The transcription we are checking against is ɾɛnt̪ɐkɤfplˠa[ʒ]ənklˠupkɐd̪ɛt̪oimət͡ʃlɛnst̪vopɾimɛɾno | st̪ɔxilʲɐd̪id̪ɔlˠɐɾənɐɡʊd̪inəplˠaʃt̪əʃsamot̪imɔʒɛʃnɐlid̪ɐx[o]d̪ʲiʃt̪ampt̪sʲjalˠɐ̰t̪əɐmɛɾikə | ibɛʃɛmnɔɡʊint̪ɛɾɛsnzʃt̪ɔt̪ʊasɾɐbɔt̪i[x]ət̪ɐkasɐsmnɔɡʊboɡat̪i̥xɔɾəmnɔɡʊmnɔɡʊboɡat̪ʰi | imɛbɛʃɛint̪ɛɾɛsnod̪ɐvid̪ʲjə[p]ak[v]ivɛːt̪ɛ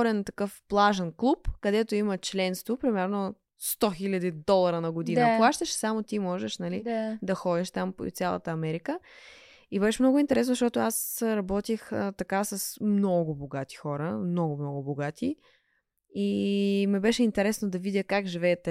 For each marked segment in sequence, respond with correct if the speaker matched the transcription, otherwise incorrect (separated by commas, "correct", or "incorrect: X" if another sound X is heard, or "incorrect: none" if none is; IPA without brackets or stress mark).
correct, incorrect: ɔ, correct, incorrect: k, incorrect: ʒ